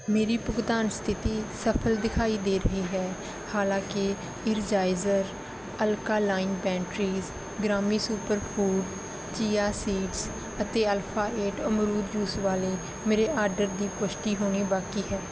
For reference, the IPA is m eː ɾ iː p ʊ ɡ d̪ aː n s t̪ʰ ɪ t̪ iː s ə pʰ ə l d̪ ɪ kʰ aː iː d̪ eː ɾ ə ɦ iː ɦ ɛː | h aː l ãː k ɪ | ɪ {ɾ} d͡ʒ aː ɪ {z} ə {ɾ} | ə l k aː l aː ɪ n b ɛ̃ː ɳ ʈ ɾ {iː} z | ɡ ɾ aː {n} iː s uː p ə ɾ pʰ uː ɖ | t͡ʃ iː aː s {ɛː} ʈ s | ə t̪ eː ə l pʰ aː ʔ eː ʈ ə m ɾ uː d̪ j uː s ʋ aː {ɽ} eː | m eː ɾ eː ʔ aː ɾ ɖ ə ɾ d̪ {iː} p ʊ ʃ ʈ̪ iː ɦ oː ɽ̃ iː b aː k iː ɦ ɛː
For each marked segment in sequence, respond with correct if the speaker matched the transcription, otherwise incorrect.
correct, correct, correct, correct, incorrect: m, incorrect: iː, incorrect: l, correct

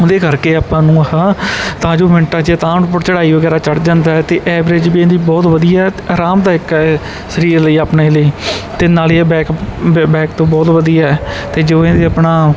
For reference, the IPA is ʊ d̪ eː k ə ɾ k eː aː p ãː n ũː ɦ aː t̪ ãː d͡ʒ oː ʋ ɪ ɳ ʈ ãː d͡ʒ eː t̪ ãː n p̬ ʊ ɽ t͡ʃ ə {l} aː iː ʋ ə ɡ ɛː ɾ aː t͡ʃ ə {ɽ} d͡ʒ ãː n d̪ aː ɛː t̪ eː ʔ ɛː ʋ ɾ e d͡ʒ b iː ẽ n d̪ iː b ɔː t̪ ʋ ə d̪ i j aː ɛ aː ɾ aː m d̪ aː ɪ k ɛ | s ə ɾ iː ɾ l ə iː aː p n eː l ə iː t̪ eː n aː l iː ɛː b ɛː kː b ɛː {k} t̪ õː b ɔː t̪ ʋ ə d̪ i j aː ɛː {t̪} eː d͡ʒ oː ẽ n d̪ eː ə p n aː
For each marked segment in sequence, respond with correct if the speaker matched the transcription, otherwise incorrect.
incorrect: ɽ, correct, correct, correct

